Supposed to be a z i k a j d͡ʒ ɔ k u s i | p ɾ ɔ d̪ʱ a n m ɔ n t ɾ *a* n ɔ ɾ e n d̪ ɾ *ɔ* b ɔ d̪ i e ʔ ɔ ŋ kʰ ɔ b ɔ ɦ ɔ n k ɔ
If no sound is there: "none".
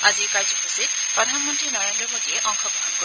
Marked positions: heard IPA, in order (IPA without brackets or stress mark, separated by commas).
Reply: i, ɔ